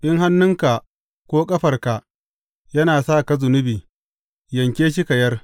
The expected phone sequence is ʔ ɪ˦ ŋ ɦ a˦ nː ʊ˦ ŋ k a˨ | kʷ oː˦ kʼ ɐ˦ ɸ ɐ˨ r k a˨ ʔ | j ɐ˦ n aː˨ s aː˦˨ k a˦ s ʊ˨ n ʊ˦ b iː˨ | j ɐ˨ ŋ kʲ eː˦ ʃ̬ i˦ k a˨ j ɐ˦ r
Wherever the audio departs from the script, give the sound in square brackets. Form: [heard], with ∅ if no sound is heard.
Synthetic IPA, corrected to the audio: ʔ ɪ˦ ŋ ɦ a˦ nː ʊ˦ ŋ k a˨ | kʷ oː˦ kʼ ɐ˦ ɸ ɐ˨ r k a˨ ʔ | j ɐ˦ n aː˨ s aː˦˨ k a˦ [z] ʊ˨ n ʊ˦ b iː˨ | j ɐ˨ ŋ kʲ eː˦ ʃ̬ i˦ k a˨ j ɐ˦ r